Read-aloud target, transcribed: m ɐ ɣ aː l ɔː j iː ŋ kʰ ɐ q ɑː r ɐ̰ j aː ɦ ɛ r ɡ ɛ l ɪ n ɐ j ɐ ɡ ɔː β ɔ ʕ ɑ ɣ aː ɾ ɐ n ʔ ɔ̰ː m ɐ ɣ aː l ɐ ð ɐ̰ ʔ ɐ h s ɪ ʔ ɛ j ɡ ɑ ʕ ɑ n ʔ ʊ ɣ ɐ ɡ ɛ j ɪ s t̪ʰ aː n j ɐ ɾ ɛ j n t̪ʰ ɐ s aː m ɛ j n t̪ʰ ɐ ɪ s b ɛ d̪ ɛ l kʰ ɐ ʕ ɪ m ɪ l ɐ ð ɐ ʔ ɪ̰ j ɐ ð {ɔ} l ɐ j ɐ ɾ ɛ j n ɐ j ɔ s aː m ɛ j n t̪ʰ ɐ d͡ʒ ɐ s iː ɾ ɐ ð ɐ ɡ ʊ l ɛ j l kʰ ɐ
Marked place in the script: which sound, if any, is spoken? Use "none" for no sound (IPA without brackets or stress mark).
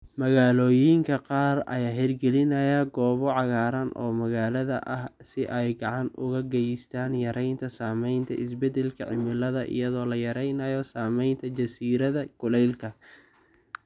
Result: ɔː